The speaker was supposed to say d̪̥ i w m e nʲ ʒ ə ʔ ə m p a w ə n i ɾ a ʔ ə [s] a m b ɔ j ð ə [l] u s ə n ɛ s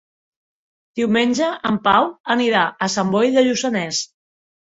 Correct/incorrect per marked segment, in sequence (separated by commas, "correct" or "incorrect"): correct, incorrect